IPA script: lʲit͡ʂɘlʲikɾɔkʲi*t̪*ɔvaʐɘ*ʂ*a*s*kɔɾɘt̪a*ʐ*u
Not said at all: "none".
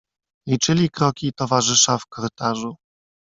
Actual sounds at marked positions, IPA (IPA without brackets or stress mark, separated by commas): t̪, ʂ, f, ʐ